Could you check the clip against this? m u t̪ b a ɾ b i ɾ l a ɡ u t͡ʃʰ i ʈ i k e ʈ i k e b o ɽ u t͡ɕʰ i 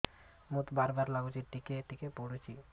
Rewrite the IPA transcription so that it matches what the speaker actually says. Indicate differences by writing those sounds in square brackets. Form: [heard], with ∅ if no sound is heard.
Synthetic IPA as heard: m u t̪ b a ɾ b [a] ɾ l a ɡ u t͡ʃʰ i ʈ i k e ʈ i k e [p] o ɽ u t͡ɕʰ i